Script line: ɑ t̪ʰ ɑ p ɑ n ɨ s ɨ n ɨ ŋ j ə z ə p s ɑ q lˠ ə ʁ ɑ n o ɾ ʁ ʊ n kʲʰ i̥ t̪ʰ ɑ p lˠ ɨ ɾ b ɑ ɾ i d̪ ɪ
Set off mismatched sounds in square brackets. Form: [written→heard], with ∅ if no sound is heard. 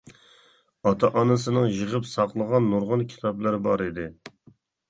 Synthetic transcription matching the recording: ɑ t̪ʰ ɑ [p→ʔ] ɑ n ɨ s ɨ n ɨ ŋ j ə [z→ʁ] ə p s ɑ q lˠ ə ʁ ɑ [n→nː] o ɾ ʁ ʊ n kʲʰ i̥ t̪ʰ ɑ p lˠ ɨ ɾ b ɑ ɾ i d̪ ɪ

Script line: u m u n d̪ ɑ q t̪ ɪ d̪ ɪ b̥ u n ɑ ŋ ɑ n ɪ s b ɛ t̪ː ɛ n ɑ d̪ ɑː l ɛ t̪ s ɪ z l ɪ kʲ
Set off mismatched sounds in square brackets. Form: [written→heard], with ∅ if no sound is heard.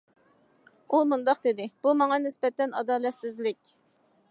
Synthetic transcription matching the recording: u m u n d̪ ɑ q [t̪→d̪] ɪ d̪ ɪ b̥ u [n→m] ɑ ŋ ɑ n ɪ s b ɛ t̪ː ɛ n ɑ d̪ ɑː l ɛ t̪ s ɪ z l ɪ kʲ

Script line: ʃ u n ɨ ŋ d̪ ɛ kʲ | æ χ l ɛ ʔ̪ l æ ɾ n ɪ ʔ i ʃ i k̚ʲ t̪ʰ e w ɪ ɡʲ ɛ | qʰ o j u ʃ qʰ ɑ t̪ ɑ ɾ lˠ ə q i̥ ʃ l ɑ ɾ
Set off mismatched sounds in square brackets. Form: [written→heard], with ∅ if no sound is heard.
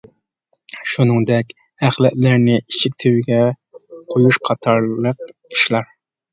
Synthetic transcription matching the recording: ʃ u n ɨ ŋ d̪ ɛ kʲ | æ χ l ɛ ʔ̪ l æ ɾ n ɪ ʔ i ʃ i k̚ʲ t̪ʰ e w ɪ ɡʲ ɛ | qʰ o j u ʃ qʰ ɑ [t̪→t̪ʰ] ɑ ɾ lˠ ə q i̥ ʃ l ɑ ɾ

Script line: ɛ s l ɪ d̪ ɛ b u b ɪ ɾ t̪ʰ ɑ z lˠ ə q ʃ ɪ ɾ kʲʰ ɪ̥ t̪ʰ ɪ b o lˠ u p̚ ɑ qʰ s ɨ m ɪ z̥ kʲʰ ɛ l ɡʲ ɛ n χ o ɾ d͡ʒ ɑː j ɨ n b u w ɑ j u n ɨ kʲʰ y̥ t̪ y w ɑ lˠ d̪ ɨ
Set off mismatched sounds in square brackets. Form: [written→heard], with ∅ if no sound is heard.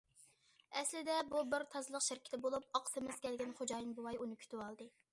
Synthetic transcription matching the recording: ɛ s l ɪ d̪ ɛ b u b ɪ ɾ t̪ʰ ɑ z lˠ ə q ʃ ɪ ɾ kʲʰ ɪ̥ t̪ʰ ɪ b o lˠ u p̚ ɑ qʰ s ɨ m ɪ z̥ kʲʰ ɛ l ɡʲ ɛ n χ o [ɾ→∅] d͡ʒ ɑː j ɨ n b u w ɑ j u n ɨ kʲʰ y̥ t̪ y w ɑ lˠ d̪ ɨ

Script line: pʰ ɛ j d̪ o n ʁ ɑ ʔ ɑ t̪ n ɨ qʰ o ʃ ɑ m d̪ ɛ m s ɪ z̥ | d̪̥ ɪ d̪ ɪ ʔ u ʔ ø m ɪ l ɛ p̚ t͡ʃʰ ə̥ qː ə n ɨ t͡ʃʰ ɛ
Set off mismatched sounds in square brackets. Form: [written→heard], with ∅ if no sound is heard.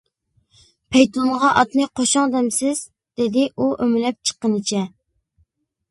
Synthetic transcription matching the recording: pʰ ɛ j [d̪→t̪] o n ʁ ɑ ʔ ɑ t̪ n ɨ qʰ o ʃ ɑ [m→ŋ] d̪ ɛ m s ɪ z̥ | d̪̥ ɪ d̪ ɪ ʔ u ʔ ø m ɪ l ɛ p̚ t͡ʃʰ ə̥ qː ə n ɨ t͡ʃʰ ɛ

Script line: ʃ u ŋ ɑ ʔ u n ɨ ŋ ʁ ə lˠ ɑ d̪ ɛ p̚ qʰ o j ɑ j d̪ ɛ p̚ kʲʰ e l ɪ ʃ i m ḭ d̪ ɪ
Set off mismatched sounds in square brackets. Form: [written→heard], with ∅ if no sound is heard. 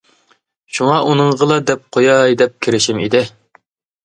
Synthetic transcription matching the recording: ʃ u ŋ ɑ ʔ u n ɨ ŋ ʁ ə lˠ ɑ d̪ ɛ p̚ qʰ o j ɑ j d̪ ɛ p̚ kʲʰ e [l→ɾ] ɪ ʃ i m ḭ d̪ ɪ

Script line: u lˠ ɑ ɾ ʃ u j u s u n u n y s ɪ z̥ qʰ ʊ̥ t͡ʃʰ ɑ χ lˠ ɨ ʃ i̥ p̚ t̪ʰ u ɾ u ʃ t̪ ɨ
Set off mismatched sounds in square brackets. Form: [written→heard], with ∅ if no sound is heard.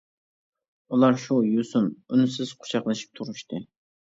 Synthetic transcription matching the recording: u lˠ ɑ ɾ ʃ u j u s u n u n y s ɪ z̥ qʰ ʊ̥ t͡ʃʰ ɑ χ lˠ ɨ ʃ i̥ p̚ t̪ʰ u ɾ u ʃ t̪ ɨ

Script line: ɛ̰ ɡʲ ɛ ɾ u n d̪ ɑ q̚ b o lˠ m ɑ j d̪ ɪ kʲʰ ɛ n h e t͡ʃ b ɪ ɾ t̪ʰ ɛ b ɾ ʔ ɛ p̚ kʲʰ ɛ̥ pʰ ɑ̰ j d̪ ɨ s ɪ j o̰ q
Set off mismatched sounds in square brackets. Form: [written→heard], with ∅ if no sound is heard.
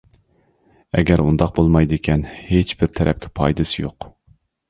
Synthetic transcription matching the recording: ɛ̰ ɡʲ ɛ ɾ u n d̪ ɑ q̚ b o lˠ m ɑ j d̪ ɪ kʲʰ ɛ n h e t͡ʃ b ɪ ɾ t̪ʰ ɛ [b→∅] ɾ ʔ ɛ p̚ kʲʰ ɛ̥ pʰ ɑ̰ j d̪ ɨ s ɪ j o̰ q

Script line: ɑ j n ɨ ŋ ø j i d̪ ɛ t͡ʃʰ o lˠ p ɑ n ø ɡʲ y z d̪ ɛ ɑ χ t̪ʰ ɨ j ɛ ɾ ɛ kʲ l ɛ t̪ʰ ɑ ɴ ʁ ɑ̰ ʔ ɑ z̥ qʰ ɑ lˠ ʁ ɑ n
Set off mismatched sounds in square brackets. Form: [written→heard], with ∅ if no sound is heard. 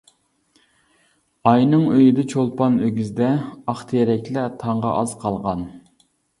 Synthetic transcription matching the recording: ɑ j n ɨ ŋ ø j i d̪ ɛ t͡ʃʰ o lˠ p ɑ n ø ɡʲ y z d̪ ɛ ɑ χ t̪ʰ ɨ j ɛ ɾ ɛ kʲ l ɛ t̪ʰ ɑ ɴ ʁ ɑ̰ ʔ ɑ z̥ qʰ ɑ lˠ ʁ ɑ n

